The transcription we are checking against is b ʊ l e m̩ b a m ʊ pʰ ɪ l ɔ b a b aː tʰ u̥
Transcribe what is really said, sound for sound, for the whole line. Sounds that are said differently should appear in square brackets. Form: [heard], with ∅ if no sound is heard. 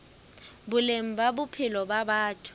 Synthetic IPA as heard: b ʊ l e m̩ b a [b] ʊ pʰ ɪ l ɔ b a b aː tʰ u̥